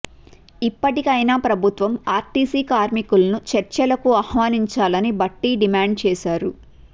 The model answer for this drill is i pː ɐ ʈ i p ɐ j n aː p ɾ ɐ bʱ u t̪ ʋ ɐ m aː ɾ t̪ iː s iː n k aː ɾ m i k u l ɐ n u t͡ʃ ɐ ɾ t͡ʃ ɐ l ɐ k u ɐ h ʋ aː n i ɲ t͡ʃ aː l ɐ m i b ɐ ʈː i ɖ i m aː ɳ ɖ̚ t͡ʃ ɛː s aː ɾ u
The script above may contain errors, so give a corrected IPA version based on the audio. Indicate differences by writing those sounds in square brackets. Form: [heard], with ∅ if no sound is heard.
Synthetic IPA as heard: i pː ɐ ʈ i [k] ɐ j n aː p ɾ ɐ bʱ u t̪ ʋ ɐ m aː ɾ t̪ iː s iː [∅] k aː ɾ m i k u l ɐ n u t͡ʃ ɐ ɾ t͡ʃ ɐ l ɐ k u ɐ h ʋ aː n i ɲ t͡ʃ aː l ɐ [n] i b ɐ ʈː i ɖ i m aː ɳ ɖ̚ t͡ʃ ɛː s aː ɾ u